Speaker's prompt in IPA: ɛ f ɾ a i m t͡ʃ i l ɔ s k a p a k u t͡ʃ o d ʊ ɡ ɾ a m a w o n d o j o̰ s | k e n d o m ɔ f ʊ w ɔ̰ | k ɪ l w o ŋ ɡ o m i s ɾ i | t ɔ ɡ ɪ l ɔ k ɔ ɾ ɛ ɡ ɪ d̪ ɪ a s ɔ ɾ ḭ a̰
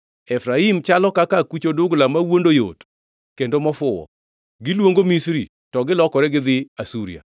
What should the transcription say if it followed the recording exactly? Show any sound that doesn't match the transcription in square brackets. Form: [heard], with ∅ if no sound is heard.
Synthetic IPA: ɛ f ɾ a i m t͡ʃ [a] l ɔ [∅] k a [k] a k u t͡ʃ o d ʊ ɡ [l] a m a w o n d o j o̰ [t] | k e n d o m ɔ f ʊ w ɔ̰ | [ɡ] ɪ l w o ŋ ɡ o m i s ɾ i | t ɔ ɡ ɪ l ɔ k ɔ ɾ ɛ ɡ ɪ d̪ ɪ a s [u] ɾ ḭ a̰

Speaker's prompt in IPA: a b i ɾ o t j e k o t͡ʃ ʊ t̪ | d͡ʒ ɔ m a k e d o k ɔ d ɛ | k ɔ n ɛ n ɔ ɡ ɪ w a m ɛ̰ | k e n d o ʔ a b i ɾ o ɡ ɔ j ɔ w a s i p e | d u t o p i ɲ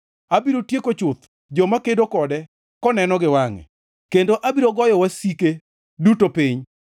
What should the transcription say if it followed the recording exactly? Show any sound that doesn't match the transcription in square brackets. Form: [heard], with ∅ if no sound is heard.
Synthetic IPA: a b i ɾ o t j e k o t͡ʃ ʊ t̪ | d͡ʒ ɔ m a k e d o k ɔ d ɛ | k ɔ n ɛ n ɔ ɡ ɪ w a [ŋ] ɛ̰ | k e n d o ʔ a b i ɾ o ɡ ɔ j ɔ w a s i [k] e | d u t o p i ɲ

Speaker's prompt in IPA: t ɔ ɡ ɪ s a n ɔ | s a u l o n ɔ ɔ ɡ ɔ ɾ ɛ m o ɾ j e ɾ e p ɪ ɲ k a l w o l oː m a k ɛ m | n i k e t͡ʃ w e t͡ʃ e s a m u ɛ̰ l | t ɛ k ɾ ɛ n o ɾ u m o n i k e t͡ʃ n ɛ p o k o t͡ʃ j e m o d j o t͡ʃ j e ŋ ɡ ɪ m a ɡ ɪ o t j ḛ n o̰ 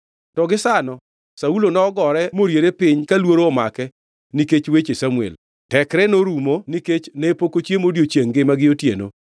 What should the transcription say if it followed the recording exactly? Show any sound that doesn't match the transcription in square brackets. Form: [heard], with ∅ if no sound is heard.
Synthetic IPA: t ɔ ɡ ɪ s a n ɔ | s a u l o n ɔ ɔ ɡ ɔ ɾ ɛ m o ɾ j e ɾ e p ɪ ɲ k a l w o [ɾ] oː m a k ɛ [∅] | n i k e t͡ʃ w e t͡ʃ e s a m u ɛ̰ l | t ɛ k ɾ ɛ n o ɾ u m o n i k e t͡ʃ n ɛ p o k o t͡ʃ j e m o d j o t͡ʃ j e ŋ ɡ ɪ m a ɡ ɪ o t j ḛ n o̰

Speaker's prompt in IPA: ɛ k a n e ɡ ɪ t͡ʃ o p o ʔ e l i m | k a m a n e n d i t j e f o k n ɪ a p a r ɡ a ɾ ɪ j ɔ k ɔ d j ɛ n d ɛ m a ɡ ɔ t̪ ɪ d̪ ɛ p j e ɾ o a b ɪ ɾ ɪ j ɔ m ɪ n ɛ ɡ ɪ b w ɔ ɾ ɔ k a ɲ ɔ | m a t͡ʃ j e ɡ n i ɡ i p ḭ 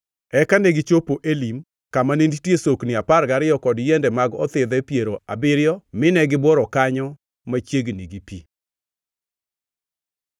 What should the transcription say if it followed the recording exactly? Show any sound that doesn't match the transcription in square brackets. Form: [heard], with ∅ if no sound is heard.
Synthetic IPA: ɛ k a n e ɡ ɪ t͡ʃ o p o ʔ e l i m | k a m a n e n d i t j e [s] o k n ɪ a p a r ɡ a ɾ ɪ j ɔ k ɔ d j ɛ n d ɛ m a ɡ ɔ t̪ ɪ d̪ ɛ p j e ɾ o a b ɪ ɾ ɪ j ɔ m ɪ n ɛ ɡ ɪ b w ɔ ɾ ɔ k a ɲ ɔ | m a t͡ʃ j e ɡ n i ɡ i p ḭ

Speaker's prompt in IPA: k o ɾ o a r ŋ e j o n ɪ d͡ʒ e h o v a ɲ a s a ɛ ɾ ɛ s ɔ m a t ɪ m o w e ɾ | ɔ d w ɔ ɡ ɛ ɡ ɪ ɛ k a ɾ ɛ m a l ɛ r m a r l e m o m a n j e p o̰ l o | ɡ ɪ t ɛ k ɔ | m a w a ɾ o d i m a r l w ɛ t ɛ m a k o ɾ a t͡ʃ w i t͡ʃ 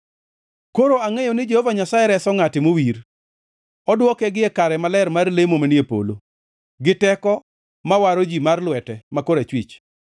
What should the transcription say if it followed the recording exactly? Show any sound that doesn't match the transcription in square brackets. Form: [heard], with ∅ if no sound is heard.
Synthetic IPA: k o ɾ o a [∅] ŋ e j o n ɪ d͡ʒ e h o v a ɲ a s a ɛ ɾ ɛ s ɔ [ŋ] a t ɪ m o w [i] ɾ | ɔ d w ɔ [k] ɛ ɡ ɪ ɛ k a ɾ ɛ m a l ɛ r m a r l e m o m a n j e p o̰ l o | ɡ ɪ t ɛ k ɔ | m a w a ɾ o [d͡ʒ] i m a r l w ɛ t ɛ m a k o ɾ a t͡ʃ w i t͡ʃ

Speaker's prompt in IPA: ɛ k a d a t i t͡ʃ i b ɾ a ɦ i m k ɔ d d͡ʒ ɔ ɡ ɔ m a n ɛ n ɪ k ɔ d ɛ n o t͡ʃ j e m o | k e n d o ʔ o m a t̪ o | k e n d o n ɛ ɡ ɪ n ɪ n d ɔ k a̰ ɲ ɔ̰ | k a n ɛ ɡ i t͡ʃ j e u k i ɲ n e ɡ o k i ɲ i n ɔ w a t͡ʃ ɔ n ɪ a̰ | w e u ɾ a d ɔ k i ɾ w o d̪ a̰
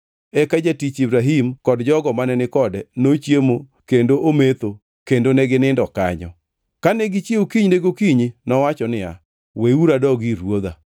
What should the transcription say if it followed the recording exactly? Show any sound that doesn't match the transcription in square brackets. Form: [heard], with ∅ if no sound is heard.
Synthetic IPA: ɛ k a [d͡ʒ] a t i t͡ʃ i b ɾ a ɦ i m k ɔ d d͡ʒ ɔ ɡ ɔ m a n ɛ n ɪ k ɔ d ɛ n o t͡ʃ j e m o | k e n d o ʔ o m [e] t̪ o | k e n d o n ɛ ɡ ɪ n ɪ n d ɔ k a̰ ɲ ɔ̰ | k a n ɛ ɡ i t͡ʃ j e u k i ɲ n e ɡ o k i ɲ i n ɔ w a t͡ʃ ɔ n ɪ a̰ | w e u ɾ a d ɔ [ɡ] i ɾ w o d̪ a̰

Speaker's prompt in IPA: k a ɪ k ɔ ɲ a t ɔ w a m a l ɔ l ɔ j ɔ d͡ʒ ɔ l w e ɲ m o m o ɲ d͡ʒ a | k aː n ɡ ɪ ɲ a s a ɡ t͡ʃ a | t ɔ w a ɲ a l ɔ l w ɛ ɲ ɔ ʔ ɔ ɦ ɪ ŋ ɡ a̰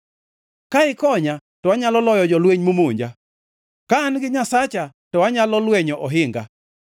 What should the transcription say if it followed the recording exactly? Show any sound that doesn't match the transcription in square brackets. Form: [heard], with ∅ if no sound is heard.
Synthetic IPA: k a ɪ k ɔ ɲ a t ɔ w a [ɲ] a l ɔ l ɔ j ɔ d͡ʒ ɔ l w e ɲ m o m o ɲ d͡ʒ a | k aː n ɡ ɪ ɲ a s a [∅] t͡ʃ a | t ɔ w a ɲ a l ɔ l w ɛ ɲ ɔ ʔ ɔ ɦ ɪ ŋ ɡ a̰

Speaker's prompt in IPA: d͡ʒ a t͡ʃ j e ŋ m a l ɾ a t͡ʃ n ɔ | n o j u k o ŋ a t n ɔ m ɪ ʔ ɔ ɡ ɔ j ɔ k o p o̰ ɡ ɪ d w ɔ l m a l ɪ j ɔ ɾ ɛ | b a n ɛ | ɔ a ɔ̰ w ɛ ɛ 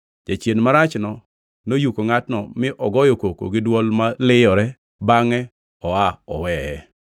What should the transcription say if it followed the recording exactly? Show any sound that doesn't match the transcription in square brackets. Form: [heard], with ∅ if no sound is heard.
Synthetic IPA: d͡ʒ a t͡ʃ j e [n] m a [∅] ɾ a t͡ʃ n ɔ | n o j u k o ŋ a t n ɔ m ɪ ʔ ɔ ɡ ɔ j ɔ k o [k] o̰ ɡ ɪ d w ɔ l m a l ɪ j ɔ ɾ ɛ | b a [ŋ] ɛ | ɔ a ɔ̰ w ɛ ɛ

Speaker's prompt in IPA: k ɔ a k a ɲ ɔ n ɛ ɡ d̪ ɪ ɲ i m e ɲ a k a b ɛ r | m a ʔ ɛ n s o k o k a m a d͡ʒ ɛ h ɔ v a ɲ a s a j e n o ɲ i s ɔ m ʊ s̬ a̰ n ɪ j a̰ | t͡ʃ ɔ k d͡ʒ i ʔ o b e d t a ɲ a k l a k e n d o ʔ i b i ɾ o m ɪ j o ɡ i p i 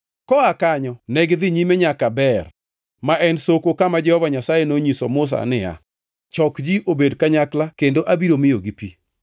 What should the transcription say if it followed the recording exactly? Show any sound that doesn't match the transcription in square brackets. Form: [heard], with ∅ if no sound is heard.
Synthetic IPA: k ɔ a k a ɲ ɔ n ɛ ɡ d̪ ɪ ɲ i m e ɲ a k a b ɛ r | m a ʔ ɛ n s o k o k a m a d͡ʒ ɛ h ɔ v a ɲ a s a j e n o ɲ i s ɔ m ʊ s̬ a̰ n ɪ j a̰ | t͡ʃ ɔ k d͡ʒ i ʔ o b e d [k] a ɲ a k l a k e n d o ʔ [a] b i ɾ o m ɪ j o ɡ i p i

